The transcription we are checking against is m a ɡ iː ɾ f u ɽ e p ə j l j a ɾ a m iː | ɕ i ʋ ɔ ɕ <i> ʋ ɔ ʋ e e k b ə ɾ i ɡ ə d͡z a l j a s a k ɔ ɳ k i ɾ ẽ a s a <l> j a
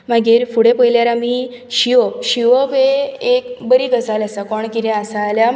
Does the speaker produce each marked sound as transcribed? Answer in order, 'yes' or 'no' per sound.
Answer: yes, yes

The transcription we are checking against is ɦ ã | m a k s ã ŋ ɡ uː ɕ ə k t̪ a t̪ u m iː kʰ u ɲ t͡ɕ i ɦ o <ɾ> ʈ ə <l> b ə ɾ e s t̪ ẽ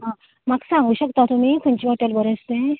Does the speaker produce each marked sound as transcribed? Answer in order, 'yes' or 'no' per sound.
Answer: no, yes

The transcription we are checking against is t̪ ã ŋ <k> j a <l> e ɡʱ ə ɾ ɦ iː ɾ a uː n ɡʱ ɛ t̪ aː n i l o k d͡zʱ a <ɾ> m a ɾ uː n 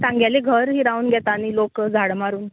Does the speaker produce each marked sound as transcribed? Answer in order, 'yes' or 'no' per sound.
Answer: no, yes, no

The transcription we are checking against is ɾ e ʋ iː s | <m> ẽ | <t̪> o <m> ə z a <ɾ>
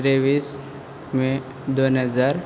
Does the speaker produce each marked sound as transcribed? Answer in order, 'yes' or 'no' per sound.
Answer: yes, no, no, yes

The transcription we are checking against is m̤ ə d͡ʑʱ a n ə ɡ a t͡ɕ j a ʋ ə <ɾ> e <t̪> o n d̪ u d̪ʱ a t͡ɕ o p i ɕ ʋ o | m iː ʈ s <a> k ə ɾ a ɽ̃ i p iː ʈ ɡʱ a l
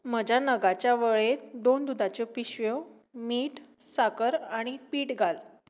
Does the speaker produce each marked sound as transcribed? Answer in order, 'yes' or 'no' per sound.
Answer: no, no, yes

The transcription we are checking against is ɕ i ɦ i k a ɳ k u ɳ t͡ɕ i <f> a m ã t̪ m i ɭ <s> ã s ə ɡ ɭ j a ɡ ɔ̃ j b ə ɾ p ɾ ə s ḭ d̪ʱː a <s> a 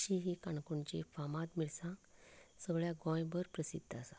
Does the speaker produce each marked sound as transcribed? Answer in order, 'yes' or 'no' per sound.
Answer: yes, yes, yes

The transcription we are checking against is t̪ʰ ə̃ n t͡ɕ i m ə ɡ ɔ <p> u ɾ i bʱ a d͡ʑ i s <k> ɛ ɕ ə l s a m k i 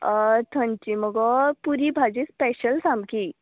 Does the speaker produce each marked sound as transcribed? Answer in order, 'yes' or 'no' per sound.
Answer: yes, no

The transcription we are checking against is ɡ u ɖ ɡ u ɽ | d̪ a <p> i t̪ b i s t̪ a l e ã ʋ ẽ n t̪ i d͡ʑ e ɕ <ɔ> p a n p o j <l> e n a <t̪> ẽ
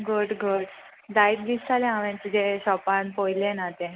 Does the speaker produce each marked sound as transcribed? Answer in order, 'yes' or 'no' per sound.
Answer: no, yes, yes, yes

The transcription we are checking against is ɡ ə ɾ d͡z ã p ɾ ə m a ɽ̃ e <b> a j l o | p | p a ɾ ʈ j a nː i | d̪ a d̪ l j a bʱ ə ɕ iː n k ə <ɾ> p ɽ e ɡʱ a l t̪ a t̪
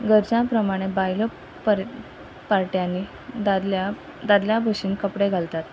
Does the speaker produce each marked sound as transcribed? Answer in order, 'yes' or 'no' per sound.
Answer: yes, no

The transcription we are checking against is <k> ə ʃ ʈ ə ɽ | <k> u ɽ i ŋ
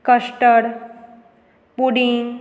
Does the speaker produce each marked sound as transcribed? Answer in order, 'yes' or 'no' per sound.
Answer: yes, no

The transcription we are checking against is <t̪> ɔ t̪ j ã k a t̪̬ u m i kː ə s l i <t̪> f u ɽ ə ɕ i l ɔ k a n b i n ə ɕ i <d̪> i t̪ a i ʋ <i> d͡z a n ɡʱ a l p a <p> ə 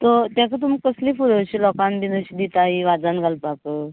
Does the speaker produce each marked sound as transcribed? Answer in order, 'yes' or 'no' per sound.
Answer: yes, no, yes, no, no

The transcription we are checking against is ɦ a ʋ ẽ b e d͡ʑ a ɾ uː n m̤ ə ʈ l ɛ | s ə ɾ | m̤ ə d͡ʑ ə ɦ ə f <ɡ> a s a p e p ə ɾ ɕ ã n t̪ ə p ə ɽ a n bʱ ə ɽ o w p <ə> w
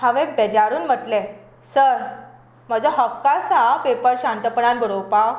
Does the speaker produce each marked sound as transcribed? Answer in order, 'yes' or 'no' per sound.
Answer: no, no

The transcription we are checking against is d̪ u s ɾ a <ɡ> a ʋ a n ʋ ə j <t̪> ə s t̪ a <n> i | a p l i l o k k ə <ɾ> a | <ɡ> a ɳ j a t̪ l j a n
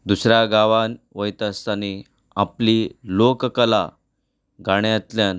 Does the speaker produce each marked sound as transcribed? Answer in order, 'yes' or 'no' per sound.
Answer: yes, yes, yes, no, yes

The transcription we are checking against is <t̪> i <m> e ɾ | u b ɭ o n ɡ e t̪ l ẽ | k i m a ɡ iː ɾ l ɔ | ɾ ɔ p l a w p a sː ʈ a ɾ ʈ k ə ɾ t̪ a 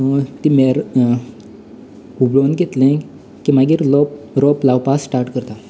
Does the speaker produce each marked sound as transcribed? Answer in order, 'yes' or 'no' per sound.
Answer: yes, yes

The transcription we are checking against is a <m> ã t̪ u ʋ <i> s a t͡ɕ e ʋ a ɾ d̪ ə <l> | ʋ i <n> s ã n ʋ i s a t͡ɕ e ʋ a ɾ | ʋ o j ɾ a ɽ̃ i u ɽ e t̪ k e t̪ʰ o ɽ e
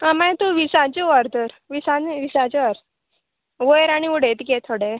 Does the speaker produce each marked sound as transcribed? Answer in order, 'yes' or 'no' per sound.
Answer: yes, yes, no, no

